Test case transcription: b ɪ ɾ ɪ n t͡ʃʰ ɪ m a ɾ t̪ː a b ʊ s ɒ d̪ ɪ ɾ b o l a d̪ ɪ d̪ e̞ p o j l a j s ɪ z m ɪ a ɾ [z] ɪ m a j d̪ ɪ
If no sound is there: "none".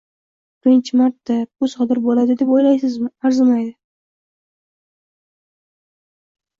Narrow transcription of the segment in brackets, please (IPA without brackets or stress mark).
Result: z